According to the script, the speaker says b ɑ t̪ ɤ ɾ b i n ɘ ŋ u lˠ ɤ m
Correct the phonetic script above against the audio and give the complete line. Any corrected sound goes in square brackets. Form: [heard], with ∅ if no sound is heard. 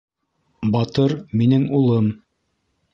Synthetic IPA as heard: b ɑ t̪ ɤ ɾ [m] i n ɘ ŋ u lˠ ɤ m